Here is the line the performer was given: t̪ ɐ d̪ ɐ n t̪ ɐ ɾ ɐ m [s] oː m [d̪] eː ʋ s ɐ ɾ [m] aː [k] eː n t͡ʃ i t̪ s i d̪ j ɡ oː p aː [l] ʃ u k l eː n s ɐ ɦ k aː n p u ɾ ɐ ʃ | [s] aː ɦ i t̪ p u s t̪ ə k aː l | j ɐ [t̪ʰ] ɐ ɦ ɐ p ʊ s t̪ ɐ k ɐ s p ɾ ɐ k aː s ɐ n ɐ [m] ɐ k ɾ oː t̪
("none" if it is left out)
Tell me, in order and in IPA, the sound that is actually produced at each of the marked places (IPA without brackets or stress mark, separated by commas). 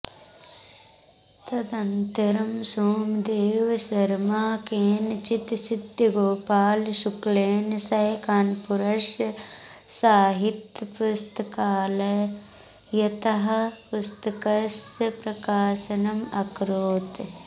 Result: s, d̪, m, k, l, s, t̪, m